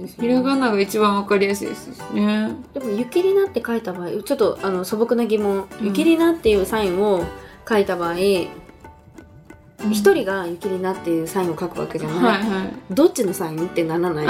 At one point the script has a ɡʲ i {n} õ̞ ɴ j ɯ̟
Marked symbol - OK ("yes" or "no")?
no